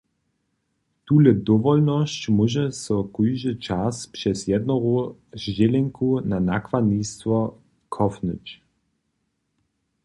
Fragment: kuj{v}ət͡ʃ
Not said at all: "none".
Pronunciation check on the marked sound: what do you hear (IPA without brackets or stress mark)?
ʒ